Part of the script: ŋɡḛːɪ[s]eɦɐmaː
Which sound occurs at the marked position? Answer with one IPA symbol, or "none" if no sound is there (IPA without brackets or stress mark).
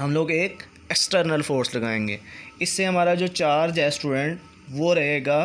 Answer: sː